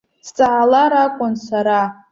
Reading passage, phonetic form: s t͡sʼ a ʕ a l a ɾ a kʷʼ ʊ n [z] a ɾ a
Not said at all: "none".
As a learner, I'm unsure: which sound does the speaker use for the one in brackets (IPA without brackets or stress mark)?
s